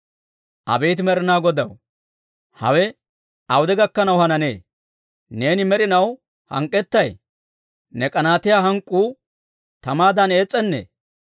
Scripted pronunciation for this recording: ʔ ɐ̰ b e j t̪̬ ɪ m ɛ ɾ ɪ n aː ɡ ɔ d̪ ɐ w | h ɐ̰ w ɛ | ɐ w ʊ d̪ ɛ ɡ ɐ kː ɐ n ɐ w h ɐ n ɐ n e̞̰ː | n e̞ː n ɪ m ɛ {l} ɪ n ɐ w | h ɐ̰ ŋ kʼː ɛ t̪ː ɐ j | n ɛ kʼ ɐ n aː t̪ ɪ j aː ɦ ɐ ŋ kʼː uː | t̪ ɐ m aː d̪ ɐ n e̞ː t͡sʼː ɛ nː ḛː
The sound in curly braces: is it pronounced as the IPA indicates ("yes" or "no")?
no